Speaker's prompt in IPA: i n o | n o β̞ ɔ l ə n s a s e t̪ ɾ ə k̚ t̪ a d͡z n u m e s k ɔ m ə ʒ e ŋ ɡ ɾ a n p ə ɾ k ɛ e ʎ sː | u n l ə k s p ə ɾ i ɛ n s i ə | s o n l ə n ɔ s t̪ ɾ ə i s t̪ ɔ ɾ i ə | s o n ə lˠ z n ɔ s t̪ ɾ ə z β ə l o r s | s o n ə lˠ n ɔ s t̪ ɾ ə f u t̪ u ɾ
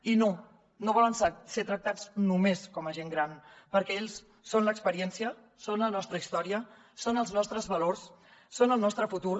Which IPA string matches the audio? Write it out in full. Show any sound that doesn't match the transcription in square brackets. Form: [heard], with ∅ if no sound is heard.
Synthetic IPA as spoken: i n o | n o β̞ ɔ l ə n s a s e t̪ ɾ ə k̚ t̪ a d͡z n u m e s k ɔ m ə ʒ e ŋ ɡ ɾ a n p ə ɾ k ɛ e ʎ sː | [o] n l ə k s p ə ɾ i ɛ n s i ə | s o n l ə n ɔ s t̪ ɾ ə i s t̪ ɔ ɾ i ə | s o n ə lˠ z n ɔ s t̪ ɾ ə z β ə l o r s | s o n ə lˠ n ɔ s t̪ ɾ ə f u t̪ u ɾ